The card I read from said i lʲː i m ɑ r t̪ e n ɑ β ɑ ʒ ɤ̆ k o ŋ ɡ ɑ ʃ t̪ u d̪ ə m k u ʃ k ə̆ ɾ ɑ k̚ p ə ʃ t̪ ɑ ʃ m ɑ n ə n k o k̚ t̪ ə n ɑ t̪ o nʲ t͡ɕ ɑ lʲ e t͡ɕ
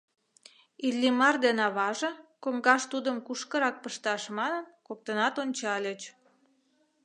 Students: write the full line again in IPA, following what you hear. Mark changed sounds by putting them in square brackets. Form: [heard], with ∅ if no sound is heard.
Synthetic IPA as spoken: i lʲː i m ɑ r [d̪] e n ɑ β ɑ ʒ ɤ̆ k o ŋ ɡ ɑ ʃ t̪ u d̪ ə m k u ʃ k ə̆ ɾ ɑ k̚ p ə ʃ t̪ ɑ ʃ m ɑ n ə n k o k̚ t̪ ə n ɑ t̪ o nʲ t͡ɕ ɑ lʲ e t͡ɕ